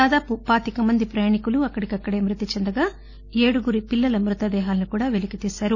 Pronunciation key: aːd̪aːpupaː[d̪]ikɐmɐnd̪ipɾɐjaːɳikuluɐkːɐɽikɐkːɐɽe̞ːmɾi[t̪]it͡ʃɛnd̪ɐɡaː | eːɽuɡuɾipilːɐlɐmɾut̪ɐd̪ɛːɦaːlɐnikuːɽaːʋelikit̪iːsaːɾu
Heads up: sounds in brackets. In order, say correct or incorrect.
incorrect: t̪, correct

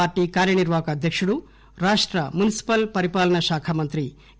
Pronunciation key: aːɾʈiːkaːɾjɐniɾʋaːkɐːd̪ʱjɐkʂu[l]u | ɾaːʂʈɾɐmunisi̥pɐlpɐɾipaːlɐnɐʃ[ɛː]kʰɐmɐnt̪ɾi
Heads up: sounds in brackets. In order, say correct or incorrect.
incorrect: ɽ, incorrect: aː

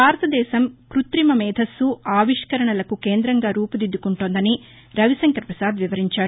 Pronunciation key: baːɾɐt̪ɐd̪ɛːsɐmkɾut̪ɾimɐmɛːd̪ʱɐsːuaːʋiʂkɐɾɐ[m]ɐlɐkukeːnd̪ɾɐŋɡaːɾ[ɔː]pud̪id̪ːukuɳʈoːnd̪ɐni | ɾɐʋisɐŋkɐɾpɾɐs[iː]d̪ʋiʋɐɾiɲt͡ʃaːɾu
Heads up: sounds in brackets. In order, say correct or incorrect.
incorrect: ɳ, incorrect: uː, incorrect: aː

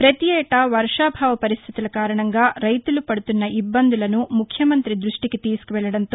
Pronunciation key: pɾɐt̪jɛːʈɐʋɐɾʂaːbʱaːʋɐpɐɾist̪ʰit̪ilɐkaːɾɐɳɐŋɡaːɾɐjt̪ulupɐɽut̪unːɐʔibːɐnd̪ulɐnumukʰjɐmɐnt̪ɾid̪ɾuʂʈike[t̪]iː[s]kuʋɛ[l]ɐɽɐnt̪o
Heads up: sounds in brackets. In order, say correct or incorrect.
correct, correct, incorrect: ɭ

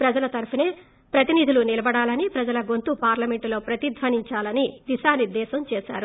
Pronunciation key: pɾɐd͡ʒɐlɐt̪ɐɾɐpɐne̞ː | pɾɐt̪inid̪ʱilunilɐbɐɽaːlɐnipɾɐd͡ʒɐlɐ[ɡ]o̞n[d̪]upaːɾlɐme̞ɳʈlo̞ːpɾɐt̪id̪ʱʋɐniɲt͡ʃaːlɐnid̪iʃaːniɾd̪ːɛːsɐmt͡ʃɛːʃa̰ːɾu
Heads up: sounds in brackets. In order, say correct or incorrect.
correct, incorrect: t̪

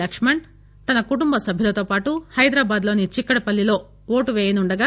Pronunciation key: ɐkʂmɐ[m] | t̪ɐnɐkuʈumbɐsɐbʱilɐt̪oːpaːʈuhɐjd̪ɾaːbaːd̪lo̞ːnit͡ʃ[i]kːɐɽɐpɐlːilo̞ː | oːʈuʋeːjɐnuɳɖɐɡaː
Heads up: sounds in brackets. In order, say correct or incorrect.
incorrect: ɳ, correct

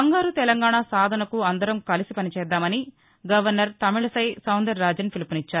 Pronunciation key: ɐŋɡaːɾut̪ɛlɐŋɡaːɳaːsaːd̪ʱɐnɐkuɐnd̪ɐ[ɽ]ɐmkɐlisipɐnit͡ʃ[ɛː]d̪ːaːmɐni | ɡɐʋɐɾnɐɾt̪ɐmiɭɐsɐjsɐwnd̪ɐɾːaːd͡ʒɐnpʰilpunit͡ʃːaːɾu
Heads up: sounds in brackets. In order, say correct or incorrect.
incorrect: ɾ, correct

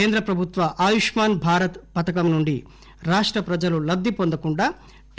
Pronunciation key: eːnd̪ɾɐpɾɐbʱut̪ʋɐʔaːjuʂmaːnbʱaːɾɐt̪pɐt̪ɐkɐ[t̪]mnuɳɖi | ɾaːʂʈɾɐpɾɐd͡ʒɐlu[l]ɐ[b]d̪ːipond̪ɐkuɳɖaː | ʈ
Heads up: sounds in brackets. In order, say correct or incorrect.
incorrect: none, correct, correct

